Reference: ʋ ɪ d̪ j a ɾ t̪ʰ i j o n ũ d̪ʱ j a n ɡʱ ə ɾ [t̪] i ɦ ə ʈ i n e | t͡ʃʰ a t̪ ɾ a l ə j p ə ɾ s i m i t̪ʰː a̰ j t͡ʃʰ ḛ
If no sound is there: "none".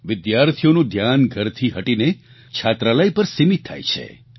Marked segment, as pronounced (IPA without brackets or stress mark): t̪ʰ